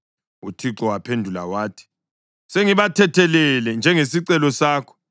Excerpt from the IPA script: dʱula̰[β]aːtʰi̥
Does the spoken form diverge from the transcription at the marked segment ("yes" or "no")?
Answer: yes